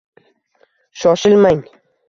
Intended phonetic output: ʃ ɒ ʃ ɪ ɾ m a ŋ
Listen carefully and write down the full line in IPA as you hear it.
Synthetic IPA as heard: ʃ ɒ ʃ ɪ l m a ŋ